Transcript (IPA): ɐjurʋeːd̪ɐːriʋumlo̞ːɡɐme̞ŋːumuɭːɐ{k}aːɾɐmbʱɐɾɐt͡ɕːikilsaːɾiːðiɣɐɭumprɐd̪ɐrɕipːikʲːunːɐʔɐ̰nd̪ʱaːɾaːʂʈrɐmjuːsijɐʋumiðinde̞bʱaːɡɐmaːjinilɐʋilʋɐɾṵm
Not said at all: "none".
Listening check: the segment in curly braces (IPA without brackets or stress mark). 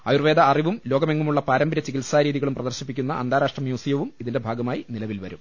p